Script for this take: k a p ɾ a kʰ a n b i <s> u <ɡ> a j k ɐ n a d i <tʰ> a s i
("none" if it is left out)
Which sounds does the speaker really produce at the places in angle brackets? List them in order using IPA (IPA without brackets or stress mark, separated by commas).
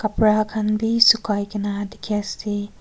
s, k, kʰ